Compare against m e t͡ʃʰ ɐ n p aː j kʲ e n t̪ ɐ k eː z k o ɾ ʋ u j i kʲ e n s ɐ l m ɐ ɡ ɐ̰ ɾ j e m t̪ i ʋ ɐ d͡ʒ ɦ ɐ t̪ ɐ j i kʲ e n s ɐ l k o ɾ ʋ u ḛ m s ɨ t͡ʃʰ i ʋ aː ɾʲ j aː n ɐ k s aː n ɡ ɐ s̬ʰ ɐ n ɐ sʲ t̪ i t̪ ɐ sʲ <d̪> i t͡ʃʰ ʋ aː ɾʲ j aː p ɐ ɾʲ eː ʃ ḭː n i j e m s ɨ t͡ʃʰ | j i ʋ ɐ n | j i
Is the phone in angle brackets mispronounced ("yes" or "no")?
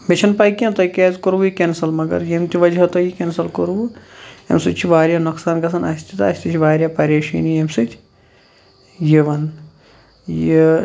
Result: yes